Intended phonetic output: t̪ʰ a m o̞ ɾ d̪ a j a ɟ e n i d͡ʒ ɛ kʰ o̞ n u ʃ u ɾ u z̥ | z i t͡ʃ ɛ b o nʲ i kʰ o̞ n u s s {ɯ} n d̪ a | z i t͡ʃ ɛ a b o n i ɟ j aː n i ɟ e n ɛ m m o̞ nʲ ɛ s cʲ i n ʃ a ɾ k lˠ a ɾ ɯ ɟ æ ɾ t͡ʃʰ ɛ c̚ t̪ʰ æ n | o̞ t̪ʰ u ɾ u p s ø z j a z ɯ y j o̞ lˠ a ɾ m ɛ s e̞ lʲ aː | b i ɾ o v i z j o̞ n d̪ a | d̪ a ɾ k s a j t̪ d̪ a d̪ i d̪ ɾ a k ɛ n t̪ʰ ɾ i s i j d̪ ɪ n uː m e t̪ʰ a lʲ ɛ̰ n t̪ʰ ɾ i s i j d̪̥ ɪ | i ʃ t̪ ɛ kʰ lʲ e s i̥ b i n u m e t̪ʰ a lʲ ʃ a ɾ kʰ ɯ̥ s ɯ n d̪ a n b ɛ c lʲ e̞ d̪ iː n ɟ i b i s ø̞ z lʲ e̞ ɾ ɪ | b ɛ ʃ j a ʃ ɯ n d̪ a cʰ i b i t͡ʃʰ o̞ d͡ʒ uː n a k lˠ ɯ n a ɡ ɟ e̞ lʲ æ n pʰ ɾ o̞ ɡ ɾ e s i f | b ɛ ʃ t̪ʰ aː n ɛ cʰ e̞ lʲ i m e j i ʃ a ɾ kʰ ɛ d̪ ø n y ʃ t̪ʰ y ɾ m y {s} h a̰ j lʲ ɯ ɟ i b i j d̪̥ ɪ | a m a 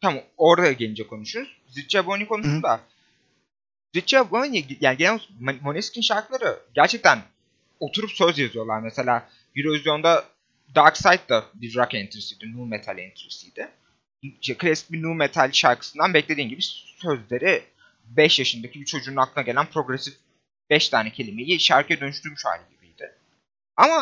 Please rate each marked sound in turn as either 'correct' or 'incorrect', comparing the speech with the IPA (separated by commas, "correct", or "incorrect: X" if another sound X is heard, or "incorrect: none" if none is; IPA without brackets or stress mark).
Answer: incorrect: u, incorrect: ʃ